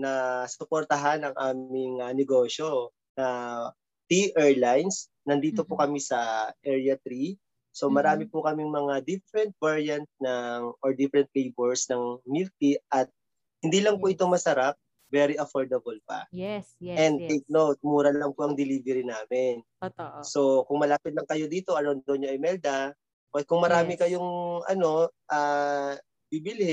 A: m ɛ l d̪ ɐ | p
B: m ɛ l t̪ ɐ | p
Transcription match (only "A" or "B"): A